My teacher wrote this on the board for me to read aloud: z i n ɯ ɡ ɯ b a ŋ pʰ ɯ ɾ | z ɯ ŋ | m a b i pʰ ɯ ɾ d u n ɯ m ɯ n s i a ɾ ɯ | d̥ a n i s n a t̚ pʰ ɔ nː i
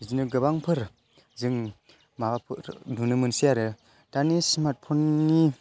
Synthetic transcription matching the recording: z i n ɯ ɡ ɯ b a ŋ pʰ ɯ ɾ | z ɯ ŋ | m a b a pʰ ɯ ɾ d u n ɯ m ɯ n s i a ɾ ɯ | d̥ a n i s m a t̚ pʰ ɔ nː i